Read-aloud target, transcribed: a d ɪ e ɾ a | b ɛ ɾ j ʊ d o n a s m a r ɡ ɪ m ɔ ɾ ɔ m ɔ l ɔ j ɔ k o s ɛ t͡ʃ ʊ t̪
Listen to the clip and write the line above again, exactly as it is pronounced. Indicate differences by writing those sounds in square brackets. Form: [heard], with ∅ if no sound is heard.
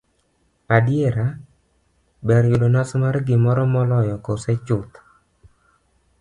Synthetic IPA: a d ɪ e ɾ a | b ɛ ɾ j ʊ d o n a s m a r ɡ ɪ m ɔ ɾ ɔ m ɔ l ɔ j ɔ k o s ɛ t͡ʃ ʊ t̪